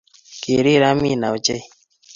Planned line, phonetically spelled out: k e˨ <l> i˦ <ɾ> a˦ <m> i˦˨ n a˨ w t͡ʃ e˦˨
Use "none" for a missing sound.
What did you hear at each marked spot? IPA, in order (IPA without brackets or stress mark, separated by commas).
ɾ, ɾ, m